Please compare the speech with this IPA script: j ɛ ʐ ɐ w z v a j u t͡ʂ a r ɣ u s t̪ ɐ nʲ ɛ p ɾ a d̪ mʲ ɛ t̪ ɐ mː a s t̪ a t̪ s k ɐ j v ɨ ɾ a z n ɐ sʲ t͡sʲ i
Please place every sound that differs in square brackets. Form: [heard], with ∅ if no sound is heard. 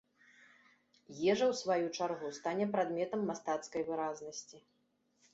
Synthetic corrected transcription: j ɛ ʐ ɐ w [s] v a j u t͡ʂ a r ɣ u s t̪ [a] nʲ ɛ p ɾ a d̪ mʲ ɛ t̪ ɐ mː a s t̪ a t̪ s k ɐ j v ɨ ɾ a z n ɐ sʲ t͡sʲ i